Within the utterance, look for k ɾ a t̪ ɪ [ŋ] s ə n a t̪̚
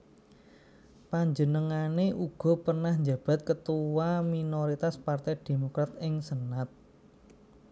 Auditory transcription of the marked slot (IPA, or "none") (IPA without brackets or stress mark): ŋ